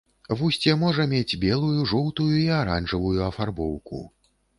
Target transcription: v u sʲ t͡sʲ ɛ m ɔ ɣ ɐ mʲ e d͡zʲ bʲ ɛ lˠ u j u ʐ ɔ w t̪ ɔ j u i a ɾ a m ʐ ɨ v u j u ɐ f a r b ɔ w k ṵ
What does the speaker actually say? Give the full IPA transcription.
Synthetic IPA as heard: v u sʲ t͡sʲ ɛ m ɔ ʐ ɐ mʲ e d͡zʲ bʲ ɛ lˠ u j u ʐ ɔ w t̪ u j u i a ɾ a n ʐ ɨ v u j u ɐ f a r b ɔ w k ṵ